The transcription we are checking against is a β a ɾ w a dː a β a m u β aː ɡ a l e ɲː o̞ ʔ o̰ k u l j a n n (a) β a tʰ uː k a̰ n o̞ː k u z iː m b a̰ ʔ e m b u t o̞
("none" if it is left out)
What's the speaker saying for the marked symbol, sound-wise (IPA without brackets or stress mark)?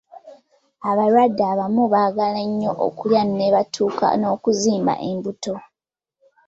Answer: e